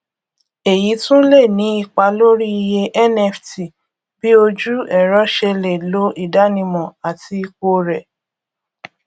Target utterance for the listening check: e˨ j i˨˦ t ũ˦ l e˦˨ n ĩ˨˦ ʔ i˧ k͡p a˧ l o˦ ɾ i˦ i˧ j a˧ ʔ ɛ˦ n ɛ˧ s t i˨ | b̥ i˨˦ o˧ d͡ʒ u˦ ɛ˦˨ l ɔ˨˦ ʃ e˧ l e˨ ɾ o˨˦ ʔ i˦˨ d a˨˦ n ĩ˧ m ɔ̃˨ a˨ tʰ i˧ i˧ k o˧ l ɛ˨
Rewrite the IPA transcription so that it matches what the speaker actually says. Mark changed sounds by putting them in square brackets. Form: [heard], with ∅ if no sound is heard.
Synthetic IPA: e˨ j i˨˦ t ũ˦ l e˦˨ n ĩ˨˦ [∅] i˧ k͡p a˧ l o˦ ɾ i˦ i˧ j [e˧] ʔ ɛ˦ n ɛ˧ [f] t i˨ | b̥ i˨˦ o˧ d͡ʒ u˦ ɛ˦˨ [ɾ] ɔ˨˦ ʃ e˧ l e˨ [l] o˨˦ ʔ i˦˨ d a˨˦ n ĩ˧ m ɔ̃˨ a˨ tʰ i˧ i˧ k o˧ [ɾ] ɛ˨